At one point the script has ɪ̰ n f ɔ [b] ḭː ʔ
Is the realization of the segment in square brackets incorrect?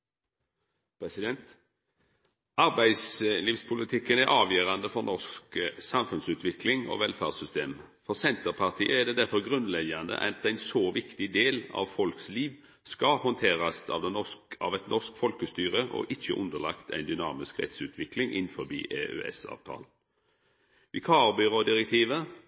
no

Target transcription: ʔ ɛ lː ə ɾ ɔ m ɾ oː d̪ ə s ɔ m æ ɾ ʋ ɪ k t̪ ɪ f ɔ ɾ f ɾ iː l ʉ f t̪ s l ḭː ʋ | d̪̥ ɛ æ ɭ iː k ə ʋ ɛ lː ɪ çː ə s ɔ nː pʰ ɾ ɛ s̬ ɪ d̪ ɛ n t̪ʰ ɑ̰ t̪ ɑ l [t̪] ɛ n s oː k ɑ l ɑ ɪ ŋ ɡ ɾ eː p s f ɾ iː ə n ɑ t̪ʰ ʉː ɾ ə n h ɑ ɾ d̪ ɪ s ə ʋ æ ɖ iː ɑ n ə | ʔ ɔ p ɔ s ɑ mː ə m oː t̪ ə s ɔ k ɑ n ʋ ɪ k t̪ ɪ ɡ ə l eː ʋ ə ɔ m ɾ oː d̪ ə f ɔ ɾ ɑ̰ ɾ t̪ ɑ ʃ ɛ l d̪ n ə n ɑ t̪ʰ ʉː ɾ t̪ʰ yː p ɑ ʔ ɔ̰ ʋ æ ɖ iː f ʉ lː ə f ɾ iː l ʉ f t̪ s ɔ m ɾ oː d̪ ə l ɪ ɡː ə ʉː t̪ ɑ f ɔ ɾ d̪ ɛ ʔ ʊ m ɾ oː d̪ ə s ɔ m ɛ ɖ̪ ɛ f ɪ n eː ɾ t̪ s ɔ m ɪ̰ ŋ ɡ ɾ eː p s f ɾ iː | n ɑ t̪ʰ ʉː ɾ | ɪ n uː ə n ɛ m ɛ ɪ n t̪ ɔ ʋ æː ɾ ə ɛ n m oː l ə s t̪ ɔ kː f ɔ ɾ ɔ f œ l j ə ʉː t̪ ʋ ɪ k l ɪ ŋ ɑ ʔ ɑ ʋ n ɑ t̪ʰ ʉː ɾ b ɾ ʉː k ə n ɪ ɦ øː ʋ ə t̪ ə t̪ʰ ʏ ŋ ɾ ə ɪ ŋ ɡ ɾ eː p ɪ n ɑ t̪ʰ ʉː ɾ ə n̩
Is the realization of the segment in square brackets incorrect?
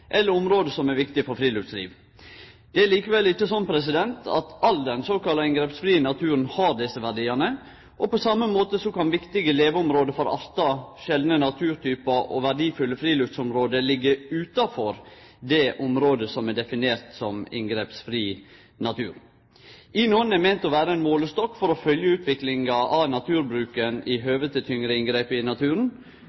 yes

